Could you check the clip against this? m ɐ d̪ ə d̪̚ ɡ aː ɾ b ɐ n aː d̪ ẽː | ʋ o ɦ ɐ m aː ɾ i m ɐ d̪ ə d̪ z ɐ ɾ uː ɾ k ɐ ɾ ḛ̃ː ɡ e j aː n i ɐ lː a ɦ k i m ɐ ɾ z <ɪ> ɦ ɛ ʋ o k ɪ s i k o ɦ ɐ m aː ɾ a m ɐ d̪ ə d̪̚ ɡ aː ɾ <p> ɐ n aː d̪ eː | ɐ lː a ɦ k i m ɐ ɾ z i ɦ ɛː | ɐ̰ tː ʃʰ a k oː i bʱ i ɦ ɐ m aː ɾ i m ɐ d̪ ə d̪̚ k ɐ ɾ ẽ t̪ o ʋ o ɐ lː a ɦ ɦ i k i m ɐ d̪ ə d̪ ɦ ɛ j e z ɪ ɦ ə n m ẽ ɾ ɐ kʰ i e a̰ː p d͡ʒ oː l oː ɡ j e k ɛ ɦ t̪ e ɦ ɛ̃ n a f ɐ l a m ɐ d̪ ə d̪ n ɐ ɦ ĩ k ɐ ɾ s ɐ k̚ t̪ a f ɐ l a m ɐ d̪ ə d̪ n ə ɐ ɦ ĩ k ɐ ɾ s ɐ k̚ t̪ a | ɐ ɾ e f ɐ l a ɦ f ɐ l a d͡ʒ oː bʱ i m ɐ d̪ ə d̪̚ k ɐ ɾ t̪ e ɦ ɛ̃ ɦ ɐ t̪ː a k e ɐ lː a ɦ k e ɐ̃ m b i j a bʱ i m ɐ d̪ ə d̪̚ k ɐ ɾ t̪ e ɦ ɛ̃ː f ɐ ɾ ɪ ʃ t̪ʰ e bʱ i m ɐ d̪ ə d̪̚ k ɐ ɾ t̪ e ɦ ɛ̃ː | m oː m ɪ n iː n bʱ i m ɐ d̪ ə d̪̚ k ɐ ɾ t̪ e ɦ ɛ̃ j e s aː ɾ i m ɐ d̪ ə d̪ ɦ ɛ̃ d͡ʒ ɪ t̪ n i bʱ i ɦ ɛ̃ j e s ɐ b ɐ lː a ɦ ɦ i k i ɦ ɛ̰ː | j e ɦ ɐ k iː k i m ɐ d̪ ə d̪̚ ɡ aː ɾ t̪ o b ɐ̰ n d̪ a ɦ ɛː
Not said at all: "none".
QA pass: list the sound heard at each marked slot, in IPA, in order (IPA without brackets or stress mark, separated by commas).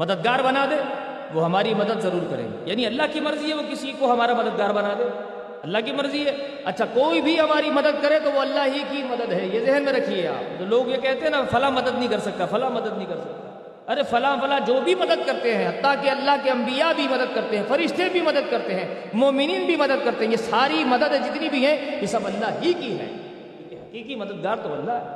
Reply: i, b